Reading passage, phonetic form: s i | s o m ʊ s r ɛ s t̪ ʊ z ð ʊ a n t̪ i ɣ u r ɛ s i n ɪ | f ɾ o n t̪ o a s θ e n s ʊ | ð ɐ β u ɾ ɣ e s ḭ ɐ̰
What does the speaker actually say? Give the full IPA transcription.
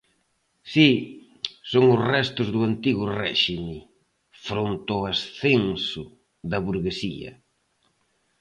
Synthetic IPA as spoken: s i | s o ŋ ʊ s r ɛ s t̪ ʊ z ð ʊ a n t̪ i ɣ ʊ r ɛ ʃ i m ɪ | f ɾ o n t̪ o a s θ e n s ʊ | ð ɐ β u ɾ ɣ e s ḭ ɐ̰